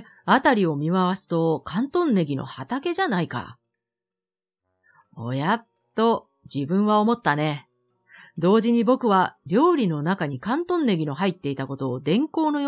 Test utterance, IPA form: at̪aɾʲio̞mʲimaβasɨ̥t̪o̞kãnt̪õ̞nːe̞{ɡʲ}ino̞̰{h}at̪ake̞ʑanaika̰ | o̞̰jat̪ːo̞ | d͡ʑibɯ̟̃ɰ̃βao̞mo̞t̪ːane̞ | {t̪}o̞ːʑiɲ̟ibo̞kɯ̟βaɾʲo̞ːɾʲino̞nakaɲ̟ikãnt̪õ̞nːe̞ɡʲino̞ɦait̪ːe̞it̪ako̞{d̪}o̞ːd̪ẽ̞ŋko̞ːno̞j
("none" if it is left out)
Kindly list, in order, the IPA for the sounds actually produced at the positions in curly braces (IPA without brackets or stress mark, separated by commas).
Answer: ɡʲ, h, d̪, t̪